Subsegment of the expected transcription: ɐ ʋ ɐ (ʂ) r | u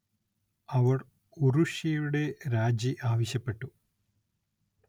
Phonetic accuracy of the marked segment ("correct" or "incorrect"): incorrect